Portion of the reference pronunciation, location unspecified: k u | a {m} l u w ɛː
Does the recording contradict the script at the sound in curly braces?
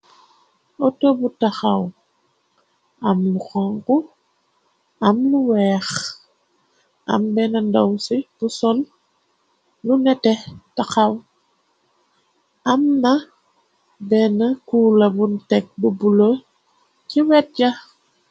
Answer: no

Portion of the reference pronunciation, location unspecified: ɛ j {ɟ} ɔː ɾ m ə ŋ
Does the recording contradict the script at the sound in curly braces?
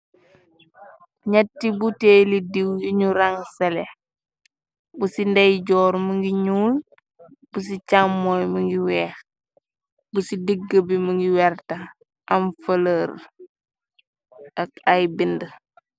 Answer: no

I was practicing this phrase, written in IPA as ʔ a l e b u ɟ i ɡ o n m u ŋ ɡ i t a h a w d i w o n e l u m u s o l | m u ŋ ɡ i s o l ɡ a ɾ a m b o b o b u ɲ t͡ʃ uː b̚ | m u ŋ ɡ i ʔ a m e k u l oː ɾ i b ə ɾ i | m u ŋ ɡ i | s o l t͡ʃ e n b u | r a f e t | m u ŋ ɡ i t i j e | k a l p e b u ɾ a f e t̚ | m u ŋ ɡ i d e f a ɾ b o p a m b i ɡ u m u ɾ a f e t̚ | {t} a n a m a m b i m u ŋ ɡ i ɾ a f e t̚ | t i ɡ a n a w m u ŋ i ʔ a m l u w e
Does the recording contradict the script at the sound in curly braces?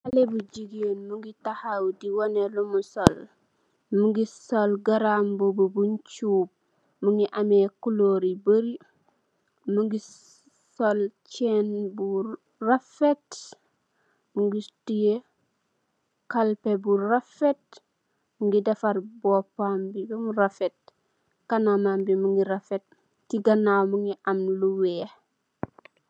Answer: yes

